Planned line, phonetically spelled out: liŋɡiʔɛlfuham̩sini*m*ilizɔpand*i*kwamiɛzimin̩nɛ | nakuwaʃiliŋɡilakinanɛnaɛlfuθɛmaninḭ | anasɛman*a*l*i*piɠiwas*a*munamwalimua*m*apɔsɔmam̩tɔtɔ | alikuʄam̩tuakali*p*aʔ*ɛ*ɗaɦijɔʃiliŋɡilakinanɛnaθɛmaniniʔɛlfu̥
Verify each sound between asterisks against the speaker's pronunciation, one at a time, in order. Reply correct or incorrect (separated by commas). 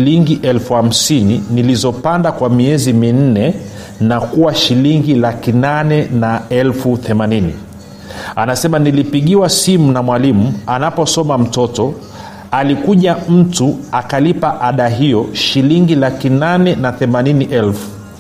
incorrect, incorrect, incorrect, correct, incorrect, incorrect, correct, incorrect